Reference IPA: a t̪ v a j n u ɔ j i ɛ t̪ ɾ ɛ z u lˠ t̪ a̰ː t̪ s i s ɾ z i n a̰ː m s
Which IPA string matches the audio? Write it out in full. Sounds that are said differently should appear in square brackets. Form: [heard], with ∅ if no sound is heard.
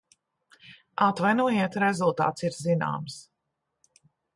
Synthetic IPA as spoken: a t̪ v a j n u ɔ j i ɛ t̪ ɾ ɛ z u lˠ t̪ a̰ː t̪ s i [∅] ɾ z i n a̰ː m s